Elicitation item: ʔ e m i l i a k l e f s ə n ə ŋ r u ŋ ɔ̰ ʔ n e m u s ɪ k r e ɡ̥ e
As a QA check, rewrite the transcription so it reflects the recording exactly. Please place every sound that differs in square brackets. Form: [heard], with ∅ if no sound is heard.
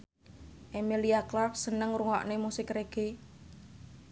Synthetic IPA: ʔ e m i l i a k l [a] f s ə n ə ŋ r u ŋ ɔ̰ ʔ n e m u s ɪ k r e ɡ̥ e